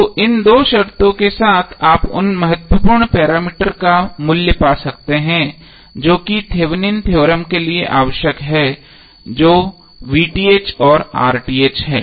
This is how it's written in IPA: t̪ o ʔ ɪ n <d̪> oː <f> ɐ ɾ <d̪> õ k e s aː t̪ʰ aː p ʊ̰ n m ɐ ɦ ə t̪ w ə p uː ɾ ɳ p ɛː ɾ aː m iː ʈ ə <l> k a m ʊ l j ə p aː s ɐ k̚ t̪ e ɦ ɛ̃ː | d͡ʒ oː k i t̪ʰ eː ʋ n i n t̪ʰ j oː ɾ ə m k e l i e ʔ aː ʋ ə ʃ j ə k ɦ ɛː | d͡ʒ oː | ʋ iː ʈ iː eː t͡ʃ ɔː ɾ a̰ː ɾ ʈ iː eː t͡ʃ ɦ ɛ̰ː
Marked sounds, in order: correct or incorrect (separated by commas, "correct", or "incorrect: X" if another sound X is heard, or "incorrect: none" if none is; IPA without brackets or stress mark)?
correct, incorrect: ʃ, incorrect: t̪, incorrect: ɾ